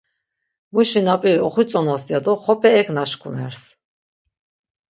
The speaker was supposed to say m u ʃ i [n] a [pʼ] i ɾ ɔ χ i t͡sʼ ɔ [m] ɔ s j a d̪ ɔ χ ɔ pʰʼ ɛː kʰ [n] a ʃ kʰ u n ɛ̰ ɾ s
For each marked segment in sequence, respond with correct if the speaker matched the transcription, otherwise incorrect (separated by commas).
correct, correct, incorrect, correct